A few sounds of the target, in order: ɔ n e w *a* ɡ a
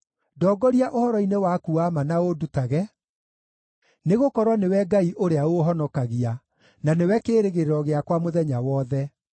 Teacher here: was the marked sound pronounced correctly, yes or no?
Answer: no